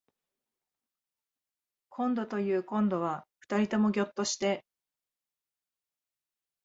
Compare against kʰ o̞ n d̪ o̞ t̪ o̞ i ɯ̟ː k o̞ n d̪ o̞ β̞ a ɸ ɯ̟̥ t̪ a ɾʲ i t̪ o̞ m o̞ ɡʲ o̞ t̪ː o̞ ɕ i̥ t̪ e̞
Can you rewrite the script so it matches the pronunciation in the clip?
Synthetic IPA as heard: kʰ õ̞ n d̪ o̞ t̪ o̞ j ɯ̟ː k õ̞ n d̪ o̞ β̞ a ɸ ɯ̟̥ t̪ a ɾʲ i t̪ o̞ m o̞ ɡʲ o̞ t̪ː o̞ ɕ i̥ t̪ e̞